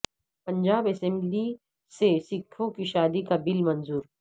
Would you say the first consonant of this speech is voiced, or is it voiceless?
voiceless